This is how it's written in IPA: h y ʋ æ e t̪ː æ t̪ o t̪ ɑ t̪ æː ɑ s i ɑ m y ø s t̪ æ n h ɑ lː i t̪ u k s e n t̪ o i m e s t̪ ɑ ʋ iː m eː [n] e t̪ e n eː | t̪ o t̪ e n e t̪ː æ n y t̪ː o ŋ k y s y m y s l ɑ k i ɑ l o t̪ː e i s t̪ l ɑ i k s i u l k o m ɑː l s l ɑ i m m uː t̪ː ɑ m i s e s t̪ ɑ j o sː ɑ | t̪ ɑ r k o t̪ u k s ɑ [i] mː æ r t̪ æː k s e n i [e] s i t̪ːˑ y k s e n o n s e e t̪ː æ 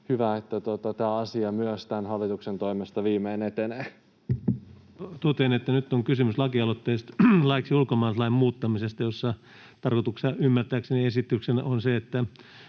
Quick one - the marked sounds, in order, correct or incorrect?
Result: correct, incorrect, correct

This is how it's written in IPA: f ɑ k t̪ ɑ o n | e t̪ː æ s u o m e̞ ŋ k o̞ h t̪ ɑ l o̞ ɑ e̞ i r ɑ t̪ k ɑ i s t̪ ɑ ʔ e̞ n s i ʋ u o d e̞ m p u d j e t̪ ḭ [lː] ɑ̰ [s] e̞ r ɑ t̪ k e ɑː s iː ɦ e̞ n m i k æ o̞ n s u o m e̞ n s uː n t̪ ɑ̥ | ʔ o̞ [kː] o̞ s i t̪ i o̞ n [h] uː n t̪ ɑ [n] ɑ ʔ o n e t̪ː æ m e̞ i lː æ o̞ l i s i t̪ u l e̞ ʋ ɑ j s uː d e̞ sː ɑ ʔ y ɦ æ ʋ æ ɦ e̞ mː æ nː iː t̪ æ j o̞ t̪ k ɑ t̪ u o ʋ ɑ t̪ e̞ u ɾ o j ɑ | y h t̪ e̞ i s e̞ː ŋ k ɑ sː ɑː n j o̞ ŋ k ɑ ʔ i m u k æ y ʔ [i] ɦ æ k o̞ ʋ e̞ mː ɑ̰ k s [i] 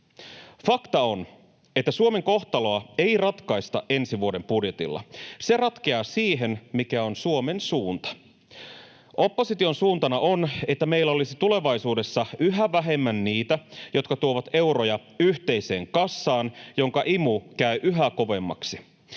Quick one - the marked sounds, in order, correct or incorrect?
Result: correct, correct, incorrect, incorrect, correct, incorrect, correct

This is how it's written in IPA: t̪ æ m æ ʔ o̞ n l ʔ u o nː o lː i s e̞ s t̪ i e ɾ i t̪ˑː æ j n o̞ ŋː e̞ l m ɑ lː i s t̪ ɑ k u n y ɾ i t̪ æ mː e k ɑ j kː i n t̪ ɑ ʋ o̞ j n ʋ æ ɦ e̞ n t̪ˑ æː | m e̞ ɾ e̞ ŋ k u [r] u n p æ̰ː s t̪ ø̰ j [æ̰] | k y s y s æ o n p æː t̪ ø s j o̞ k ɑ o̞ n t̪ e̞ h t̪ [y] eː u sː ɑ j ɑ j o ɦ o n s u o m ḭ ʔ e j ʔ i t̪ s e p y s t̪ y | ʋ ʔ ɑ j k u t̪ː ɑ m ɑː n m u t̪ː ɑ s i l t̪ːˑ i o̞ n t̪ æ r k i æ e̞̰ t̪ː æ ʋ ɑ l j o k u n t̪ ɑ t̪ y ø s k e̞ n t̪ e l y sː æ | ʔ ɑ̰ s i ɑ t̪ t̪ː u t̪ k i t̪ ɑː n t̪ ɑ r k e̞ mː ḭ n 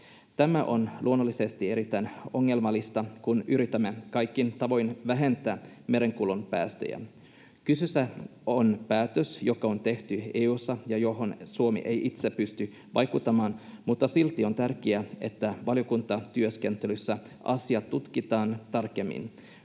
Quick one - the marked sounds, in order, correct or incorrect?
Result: incorrect, correct, correct

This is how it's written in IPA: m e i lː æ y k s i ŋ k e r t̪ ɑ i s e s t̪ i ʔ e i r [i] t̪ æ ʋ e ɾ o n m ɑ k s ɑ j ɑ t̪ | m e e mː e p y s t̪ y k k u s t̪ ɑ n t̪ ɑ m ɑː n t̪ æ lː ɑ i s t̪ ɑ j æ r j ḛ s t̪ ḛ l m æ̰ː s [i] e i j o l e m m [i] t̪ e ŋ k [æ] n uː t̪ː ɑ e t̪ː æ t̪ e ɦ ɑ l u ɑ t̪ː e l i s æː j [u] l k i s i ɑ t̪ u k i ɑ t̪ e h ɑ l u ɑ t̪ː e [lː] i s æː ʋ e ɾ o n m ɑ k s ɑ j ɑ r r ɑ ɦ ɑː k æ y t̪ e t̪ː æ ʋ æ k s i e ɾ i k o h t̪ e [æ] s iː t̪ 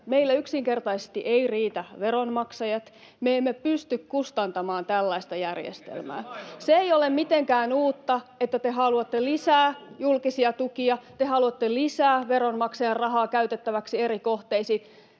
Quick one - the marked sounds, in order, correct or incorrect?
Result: incorrect, incorrect, correct, incorrect, correct, incorrect, incorrect

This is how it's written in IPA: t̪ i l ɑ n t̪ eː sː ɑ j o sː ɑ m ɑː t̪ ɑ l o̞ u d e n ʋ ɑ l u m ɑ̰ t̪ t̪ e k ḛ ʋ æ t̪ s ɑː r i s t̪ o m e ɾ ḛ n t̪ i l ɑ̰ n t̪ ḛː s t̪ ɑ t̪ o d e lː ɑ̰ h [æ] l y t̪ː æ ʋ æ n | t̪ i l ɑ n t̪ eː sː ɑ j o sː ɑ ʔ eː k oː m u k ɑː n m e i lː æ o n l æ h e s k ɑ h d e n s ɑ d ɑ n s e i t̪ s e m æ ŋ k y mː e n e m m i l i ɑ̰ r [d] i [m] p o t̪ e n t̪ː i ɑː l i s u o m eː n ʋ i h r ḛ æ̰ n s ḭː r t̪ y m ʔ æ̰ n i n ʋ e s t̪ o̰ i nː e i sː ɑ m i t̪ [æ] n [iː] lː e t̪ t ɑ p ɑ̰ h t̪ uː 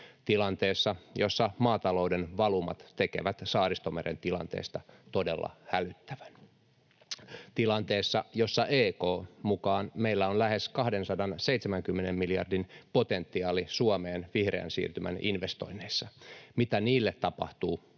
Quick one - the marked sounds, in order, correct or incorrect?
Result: correct, correct, incorrect, correct, correct

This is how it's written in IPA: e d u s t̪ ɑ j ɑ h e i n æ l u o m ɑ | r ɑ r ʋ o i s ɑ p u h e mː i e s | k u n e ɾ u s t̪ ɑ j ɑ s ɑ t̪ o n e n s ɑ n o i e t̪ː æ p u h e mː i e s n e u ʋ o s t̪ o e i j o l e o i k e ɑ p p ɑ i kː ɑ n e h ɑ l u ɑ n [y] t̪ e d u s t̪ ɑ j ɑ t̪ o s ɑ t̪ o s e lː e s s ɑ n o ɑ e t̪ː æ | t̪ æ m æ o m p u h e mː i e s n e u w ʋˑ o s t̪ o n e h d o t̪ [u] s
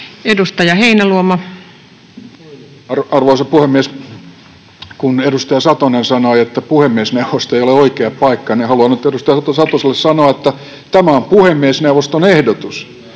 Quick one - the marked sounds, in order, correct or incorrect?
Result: correct, correct

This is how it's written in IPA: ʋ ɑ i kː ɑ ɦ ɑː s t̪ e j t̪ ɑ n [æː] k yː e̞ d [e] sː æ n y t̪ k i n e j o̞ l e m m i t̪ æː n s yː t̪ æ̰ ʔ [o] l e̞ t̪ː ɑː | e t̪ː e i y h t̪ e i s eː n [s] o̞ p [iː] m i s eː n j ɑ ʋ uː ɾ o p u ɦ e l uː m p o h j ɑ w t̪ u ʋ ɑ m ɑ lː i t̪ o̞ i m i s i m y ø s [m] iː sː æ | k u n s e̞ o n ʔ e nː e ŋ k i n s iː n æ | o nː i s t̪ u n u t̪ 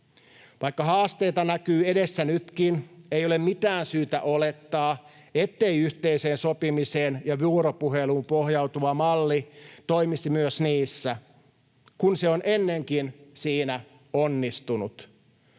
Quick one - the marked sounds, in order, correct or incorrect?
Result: incorrect, correct, correct, correct, incorrect, incorrect

